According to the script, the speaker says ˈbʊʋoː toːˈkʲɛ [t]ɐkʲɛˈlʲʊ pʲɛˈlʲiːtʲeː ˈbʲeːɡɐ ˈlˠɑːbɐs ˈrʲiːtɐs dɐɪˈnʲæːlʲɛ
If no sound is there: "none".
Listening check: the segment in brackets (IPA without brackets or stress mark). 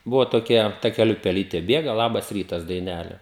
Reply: t